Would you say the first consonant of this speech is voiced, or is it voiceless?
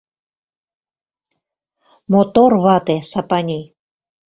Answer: voiced